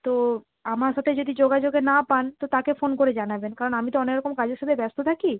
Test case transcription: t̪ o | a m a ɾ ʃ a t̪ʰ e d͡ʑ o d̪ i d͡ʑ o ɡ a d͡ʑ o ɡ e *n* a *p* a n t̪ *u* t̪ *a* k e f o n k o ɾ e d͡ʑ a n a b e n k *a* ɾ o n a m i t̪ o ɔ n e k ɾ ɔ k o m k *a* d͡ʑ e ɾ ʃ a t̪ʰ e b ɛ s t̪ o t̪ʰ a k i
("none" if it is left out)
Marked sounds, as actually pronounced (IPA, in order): n, p, o, a, a, a

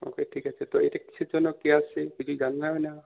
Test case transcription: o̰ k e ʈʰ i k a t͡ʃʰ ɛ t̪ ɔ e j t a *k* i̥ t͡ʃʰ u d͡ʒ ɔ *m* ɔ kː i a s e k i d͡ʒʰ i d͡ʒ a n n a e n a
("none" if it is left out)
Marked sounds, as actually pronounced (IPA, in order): k, n

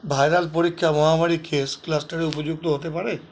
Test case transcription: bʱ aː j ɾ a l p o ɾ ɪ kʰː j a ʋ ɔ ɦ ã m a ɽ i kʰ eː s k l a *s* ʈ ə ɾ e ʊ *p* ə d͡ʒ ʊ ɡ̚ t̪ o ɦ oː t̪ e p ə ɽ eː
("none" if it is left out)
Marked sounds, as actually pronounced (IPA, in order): s, p

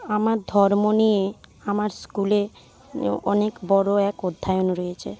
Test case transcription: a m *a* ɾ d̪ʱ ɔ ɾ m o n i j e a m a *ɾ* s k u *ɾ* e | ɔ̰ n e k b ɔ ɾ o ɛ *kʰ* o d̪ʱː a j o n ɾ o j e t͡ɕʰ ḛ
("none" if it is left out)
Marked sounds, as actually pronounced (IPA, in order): a, ɾ, l, k

